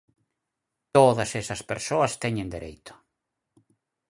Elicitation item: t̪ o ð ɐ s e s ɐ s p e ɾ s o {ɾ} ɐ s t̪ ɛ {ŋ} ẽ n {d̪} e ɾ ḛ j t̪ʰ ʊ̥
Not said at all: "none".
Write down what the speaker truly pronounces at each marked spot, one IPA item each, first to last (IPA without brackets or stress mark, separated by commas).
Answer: none, ɲ, d̪